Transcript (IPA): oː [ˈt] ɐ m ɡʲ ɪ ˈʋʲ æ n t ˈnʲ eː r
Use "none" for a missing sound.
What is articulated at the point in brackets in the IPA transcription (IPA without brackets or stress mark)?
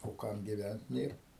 k